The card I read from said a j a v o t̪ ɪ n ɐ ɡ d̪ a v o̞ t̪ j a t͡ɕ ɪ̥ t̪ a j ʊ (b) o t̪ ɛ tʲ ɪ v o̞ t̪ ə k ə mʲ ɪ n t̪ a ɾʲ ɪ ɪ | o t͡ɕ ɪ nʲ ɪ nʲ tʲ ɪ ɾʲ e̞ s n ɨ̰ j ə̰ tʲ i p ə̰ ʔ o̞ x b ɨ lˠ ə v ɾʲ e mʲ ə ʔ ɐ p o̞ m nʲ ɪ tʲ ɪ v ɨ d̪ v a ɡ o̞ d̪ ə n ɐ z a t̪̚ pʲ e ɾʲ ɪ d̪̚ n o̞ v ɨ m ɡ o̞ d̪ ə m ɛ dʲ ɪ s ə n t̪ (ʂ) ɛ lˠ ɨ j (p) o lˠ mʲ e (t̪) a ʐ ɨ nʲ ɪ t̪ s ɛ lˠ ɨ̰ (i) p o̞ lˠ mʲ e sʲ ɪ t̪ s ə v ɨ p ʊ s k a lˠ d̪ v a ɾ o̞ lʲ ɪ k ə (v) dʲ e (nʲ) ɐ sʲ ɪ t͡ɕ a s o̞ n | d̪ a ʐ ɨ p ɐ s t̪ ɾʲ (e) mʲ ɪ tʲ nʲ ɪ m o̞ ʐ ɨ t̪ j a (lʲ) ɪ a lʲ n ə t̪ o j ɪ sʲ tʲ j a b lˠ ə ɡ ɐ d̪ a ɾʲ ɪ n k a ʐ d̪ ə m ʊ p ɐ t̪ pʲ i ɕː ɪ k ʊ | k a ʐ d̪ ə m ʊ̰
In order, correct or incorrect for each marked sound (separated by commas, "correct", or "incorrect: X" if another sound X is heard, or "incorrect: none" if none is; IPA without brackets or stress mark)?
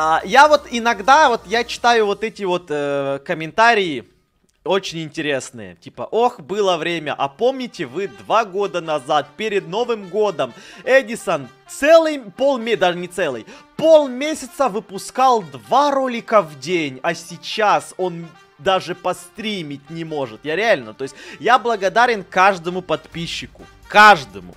incorrect: v, incorrect: s, correct, incorrect: d̪, incorrect: j, correct, correct, incorrect: i, incorrect: ɾʲ